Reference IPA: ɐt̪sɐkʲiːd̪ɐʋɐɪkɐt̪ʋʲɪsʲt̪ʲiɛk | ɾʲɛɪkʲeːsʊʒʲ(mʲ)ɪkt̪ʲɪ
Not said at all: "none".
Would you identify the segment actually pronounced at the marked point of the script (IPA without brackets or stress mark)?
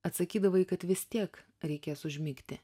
mʲ